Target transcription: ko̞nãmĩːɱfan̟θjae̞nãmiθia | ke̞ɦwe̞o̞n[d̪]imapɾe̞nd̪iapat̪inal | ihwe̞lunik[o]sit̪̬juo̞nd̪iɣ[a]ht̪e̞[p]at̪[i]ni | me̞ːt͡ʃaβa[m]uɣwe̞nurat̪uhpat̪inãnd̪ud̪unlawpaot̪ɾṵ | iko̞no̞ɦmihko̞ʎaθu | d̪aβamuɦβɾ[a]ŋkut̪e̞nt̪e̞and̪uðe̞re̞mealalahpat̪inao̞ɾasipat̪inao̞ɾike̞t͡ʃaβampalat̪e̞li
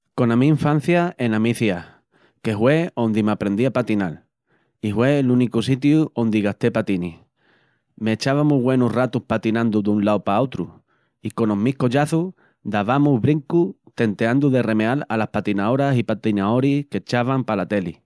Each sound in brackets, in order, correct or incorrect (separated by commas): correct, incorrect, correct, correct, correct, correct, incorrect